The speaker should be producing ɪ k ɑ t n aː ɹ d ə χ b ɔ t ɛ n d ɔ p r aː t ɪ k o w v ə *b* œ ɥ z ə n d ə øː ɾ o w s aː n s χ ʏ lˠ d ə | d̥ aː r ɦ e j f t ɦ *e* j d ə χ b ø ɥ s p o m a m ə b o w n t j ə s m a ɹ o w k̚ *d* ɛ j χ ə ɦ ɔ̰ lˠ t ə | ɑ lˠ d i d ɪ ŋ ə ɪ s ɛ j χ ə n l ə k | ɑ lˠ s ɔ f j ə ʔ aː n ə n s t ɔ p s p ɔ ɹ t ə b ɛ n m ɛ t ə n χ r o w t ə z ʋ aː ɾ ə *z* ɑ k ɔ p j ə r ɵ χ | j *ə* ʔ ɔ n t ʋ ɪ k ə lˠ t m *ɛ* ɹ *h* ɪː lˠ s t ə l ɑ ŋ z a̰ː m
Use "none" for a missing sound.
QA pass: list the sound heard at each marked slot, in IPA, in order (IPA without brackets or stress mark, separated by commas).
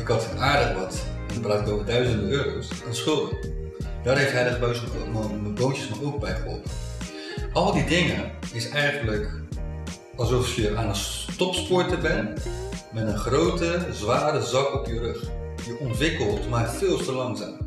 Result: d, ɛ, b, z, ə, a, f